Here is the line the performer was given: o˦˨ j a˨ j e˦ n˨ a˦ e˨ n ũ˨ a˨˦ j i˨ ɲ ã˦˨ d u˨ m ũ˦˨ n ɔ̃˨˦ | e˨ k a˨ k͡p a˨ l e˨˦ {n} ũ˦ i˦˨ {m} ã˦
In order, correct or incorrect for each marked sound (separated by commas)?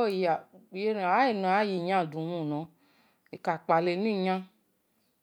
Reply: correct, incorrect